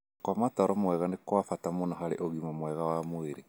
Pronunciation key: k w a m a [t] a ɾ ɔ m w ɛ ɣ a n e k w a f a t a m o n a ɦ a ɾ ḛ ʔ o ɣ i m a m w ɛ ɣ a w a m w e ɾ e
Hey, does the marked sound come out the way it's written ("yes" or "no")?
yes